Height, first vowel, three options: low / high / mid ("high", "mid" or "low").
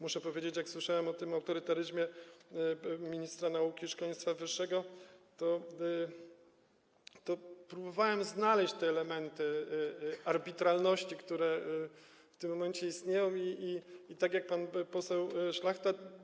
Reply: high